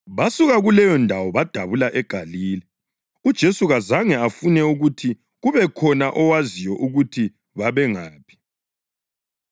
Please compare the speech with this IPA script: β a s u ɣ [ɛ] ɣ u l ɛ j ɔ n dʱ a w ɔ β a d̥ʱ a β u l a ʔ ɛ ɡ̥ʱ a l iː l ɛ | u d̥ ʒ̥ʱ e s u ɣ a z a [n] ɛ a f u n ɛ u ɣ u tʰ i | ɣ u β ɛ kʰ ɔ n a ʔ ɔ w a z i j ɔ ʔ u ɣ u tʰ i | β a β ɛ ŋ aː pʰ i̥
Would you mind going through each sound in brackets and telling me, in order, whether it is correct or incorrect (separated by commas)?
incorrect, incorrect